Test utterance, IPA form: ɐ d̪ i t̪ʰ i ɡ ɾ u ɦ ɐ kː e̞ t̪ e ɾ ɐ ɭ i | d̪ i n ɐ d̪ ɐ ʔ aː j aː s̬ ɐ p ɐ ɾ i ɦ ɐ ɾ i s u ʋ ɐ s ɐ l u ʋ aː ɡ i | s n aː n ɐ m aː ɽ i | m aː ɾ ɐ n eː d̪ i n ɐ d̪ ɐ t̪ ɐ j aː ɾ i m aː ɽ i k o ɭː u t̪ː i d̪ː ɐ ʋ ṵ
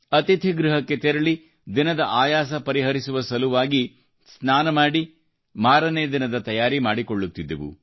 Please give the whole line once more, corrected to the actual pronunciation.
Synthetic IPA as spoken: ɐ t̪ i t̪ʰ i ɡ ɾ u ɦ ɐ kː e̞ t̪ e ɾ ɐ ɭ i | d̪ i n ɐ d̪ ɐ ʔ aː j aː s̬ ɐ p ɐ ɾ i ɦ ɐ ɾ i s u ʋ ɐ s ɐ l u ʋ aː ɡ i | s n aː n ɐ m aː ɽ i | m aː ɾ ɐ n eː d̪ i n ɐ d̪ ɐ t̪ ɐ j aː ɾ i m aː ɽ i k o ɭː u t̪ː i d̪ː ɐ ʋ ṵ